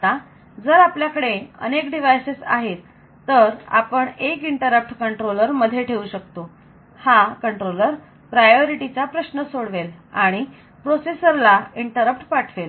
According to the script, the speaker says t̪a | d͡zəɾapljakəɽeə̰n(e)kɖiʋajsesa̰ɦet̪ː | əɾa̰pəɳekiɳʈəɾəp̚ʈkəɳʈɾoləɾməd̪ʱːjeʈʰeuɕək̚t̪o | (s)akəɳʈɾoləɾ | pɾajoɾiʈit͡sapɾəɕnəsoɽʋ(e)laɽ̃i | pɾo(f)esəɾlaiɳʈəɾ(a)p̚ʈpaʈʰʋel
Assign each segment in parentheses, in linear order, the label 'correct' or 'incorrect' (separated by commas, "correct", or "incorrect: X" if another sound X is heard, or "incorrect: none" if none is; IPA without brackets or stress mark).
correct, incorrect: h, correct, incorrect: s, incorrect: ə